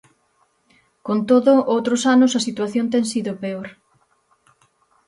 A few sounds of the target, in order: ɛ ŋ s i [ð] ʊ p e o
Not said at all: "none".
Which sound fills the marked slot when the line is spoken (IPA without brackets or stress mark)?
ð